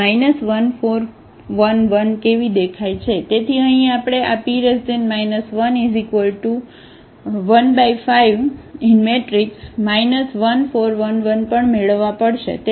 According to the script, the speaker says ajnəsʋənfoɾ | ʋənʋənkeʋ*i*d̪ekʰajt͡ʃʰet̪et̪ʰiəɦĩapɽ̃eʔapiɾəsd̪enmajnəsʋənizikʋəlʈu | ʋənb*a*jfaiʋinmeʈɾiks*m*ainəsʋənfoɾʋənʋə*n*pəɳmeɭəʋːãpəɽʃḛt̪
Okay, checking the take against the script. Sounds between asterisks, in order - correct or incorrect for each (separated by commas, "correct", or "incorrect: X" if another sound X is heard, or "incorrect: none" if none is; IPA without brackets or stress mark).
correct, correct, correct, correct